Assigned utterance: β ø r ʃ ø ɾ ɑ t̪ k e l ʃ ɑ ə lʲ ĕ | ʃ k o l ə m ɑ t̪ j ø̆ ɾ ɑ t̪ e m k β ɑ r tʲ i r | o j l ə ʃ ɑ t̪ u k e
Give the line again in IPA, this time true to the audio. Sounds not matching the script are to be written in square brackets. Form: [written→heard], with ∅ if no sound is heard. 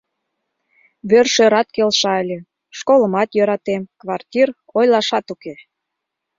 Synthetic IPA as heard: β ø r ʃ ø ɾ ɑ t̪ k e l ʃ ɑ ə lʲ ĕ | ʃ k o l ə m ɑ t̪ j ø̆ ɾ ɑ t̪ e m k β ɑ r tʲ i r | o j l [ə→ɑ] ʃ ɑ t̪ u k e